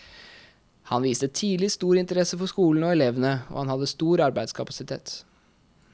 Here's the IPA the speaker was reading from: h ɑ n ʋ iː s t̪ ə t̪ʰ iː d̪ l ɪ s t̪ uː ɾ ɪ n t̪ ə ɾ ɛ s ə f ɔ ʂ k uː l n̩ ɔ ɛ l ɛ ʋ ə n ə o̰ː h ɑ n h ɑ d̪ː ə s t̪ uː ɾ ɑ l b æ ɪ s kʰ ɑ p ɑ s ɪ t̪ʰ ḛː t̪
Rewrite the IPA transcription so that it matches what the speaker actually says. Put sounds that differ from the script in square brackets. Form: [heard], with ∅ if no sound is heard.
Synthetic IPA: h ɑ n ʋ iː s t̪ ə t̪ʰ iː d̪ l ɪ s t̪ uː ɾ ɪ n t̪ ə ɾ ɛ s ə f ɔ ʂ k uː l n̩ ɔ ɛ l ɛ ʋ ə n ə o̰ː h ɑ n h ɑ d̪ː ə s t̪ uː ɾ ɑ [ɾ] b æ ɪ s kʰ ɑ p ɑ s ɪ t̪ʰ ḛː t̪

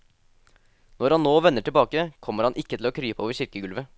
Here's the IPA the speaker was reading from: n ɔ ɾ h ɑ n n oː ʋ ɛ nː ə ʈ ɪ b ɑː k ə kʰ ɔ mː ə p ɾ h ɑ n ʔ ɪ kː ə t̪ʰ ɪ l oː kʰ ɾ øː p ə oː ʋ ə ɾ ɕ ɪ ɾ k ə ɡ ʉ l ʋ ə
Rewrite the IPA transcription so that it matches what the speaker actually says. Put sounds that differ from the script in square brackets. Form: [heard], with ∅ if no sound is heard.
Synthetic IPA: n ɔ ɾ h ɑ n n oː ʋ ɛ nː ə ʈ ɪ b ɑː k ə kʰ ɔ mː ə [∅] ɾ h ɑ n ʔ ɪ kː ə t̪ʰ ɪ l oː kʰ ɾ [yː] p ə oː ʋ ə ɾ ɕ ɪ ɾ k ə ɡ ʉ l ʋ ə

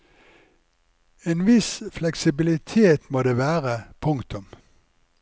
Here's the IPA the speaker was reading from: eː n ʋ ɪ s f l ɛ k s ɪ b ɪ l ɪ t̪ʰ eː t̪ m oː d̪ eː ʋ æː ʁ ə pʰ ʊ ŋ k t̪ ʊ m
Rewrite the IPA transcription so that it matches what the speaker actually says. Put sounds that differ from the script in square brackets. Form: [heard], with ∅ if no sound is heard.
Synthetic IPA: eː n ʋ ɪ s f l ɛ k s ɪ b ɪ l ɪ t̪ʰ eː t̪ m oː d̪ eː ʋ æː ʁ ə pʰ ʊ ŋ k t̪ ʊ m

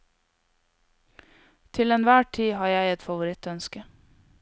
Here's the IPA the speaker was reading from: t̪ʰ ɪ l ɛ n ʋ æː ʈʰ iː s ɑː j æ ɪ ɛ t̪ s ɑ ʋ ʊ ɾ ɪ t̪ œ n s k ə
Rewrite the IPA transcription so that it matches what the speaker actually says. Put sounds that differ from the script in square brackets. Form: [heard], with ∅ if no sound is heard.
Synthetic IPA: t̪ʰ ɪ l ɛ n ʋ æː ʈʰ iː [h] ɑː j æ ɪ ɛ t̪ [f] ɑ ʋ ʊ ɾ ɪ t̪ œ n s k ə

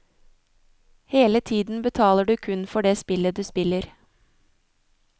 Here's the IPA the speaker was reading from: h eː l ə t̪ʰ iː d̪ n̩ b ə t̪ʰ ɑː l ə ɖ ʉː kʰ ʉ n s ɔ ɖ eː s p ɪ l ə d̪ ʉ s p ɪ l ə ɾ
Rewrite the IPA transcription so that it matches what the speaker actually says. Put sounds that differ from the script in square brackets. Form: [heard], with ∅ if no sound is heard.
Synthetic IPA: h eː l ə t̪ʰ iː d̪ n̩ b ə t̪ʰ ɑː l ə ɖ ʉː kʰ ʉ n [f] ɔ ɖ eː s p ɪ l ə d̪ [ʉː] s p ɪ l ə ɾ

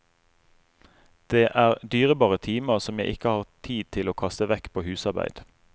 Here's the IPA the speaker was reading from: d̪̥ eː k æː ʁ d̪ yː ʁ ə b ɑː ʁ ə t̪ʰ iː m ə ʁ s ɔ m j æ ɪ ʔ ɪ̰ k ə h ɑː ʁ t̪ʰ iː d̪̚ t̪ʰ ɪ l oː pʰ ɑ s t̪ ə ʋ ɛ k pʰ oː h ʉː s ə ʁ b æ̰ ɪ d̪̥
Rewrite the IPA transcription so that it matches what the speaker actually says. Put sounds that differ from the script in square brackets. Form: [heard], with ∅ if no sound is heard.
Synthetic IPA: d̪̥ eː [ʔ] æː ʁ d̪ yː ʁ ə b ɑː ʁ ə t̪ʰ iː m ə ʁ s ɔ m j æ ɪ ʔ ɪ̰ k ə h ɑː ʁ t̪ʰ iː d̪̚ t̪ʰ ɪ l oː [kʰ] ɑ s t̪ ə ʋ ɛ k pʰ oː h ʉː s [ɑ] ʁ b æ̰ ɪ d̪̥

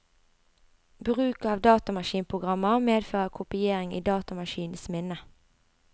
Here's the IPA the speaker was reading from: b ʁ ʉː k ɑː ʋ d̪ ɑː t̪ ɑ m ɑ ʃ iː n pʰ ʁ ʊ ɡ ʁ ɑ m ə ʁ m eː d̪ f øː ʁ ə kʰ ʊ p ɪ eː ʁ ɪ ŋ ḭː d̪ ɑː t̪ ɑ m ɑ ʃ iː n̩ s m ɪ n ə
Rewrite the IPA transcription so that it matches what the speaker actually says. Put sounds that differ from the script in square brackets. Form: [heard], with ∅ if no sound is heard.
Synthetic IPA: b ʁ ʉː k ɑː ʋ d̪ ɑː t̪ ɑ m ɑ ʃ iː n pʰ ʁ ʊ ɡ ʁ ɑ m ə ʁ m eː d̪ f øː ʁ ə kʰ ʊ p ɪ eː ʁ ɪ ŋ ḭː d̪ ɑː t̪ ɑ m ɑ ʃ iː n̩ s m ɪ n ə

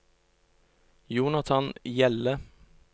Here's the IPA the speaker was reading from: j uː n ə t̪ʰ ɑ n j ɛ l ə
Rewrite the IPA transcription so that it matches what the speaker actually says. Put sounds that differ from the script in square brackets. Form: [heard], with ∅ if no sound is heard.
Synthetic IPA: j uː n [ɑ] t̪ʰ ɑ n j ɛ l ə

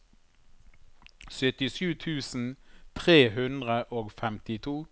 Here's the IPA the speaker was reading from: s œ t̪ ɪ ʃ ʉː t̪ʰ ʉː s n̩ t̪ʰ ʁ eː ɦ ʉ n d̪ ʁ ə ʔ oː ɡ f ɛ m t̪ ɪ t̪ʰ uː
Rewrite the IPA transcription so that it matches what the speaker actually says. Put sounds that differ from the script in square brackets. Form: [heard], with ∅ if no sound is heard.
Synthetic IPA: s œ t̪ ɪ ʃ ʉː t̪ʰ ʉː s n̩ t̪ʰ ʁ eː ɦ ʉ n d̪ ʁ ə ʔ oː ɡ f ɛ m t̪ ɪ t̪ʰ uː

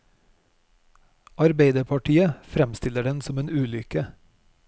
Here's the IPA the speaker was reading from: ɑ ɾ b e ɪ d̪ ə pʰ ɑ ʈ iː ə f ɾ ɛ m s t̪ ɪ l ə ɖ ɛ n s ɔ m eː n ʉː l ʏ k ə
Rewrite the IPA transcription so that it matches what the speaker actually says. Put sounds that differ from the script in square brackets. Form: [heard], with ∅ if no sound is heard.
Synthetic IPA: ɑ ɾ b e ɪ d̪ ə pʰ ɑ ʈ iː ə f ɾ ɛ m s t̪ ɪ l ə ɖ ɛ n s ɔ m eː n ʉː l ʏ k ə

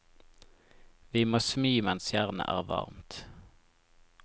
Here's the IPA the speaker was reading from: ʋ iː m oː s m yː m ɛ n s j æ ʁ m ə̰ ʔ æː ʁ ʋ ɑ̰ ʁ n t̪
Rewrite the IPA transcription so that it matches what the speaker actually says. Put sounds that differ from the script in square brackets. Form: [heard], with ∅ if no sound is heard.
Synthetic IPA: ʋ iː m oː s m yː m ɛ n s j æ ʁ [n] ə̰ ʔ æː ʁ ʋ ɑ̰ ʁ [m] t̪

